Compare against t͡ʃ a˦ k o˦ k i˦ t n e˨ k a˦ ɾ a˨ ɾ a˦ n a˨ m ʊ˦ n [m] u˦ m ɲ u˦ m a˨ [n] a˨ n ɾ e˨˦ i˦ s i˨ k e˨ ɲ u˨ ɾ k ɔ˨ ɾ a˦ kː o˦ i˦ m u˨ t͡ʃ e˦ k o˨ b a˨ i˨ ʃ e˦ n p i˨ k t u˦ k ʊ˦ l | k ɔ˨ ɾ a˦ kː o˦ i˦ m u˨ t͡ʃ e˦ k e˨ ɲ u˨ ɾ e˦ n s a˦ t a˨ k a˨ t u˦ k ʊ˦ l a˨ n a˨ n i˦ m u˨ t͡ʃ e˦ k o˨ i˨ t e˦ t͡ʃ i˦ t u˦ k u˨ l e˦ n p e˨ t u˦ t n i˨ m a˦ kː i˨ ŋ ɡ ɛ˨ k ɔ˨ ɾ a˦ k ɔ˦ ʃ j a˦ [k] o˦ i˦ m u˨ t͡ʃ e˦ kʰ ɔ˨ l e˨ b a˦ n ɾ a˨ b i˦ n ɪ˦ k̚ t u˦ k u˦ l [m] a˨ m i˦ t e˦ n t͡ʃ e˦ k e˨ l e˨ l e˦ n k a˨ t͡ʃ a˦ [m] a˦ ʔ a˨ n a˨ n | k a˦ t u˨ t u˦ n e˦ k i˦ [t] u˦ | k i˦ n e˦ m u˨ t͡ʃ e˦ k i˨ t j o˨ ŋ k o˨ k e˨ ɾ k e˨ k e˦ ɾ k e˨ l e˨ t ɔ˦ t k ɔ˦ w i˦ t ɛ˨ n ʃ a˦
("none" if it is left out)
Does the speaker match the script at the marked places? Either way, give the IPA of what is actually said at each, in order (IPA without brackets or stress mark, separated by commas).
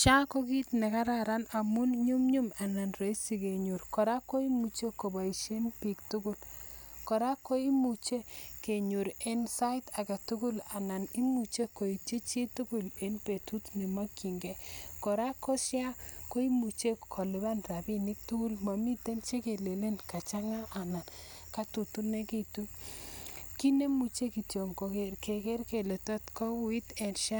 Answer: ɲ, n, k, m, ŋ, t